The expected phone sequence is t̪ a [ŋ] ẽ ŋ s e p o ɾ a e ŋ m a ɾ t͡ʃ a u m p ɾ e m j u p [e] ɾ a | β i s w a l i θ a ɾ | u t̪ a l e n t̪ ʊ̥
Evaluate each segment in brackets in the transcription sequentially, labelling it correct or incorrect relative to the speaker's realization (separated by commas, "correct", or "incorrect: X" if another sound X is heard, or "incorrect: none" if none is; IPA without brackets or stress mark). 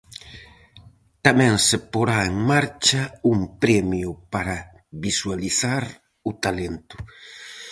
incorrect: m, incorrect: a